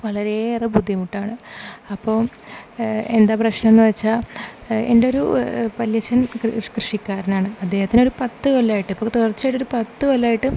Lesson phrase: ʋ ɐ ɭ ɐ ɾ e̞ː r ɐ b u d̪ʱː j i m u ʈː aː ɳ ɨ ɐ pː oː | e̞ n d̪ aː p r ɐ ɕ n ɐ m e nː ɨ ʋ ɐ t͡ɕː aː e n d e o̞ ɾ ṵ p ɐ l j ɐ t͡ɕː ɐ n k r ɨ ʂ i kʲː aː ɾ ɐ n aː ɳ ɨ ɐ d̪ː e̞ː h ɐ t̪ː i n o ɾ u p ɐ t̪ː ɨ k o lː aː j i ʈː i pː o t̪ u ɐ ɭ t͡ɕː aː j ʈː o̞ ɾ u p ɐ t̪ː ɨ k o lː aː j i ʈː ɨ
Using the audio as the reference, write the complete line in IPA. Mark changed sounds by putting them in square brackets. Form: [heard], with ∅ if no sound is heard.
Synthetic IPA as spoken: ʋ ɐ ɭ ɐ ɾ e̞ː r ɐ b u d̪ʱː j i m u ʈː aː ɳ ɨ ɐ pː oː | e̞ n d̪ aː p r ɐ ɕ n ɐ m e nː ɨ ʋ ɐ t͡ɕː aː e n d e o̞ ɾ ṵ p ɐ l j ɐ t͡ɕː ɐ n k r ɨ ʂ i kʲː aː ɾ ɐ n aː ɳ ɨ ɐ d̪ː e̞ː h ɐ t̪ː i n o ɾ u p ɐ t̪ː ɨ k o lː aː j i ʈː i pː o t̪ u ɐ [r] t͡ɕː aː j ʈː o̞ ɾ u p ɐ t̪ː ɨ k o lː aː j i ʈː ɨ